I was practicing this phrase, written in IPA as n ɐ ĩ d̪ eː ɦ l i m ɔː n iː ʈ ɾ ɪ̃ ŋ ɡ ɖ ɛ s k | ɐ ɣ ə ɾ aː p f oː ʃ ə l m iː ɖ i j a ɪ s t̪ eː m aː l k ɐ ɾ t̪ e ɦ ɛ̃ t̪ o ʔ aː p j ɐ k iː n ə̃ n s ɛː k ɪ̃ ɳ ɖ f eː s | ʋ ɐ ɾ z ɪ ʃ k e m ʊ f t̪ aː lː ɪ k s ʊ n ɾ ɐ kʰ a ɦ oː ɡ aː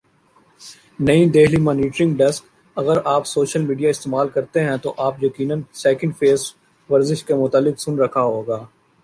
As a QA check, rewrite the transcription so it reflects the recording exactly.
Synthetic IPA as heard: n ɐ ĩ d̪ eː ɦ l i m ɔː n iː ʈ ɾ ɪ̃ ŋ ɡ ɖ ɛ s k | ɐ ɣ ə ɾ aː p s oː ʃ ə l m iː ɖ i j a ɪ s t̪ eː m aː l k ɐ ɾ t̪ e ɦ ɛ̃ t̪ o ʔ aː p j ɐ k iː n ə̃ n s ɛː k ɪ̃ ɳ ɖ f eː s | ʋ ɐ ɾ z ɪ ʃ k e m ʊ t̪ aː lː ɪ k s ʊ n ɾ ɐ kʰ a ɦ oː ɡ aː